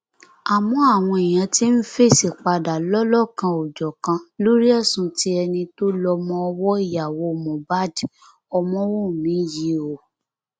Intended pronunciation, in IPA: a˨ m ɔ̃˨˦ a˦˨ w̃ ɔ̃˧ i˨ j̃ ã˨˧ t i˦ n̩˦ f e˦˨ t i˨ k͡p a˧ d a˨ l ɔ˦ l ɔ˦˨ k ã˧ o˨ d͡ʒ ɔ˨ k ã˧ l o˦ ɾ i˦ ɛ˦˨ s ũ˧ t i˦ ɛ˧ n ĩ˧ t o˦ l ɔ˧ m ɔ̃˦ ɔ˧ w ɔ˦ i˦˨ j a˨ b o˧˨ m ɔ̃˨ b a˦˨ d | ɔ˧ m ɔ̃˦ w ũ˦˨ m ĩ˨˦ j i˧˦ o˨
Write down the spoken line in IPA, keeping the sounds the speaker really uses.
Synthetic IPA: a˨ m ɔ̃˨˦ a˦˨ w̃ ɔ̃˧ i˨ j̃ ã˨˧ t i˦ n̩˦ f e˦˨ s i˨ k͡p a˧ d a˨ l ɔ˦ l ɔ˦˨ k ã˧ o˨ d͡ʒ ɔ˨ k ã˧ l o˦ ɾ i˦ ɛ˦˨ s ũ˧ t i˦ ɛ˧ n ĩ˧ t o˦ l ɔ˧ m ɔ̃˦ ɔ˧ w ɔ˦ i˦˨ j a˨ w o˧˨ m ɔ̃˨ b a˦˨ d | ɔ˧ m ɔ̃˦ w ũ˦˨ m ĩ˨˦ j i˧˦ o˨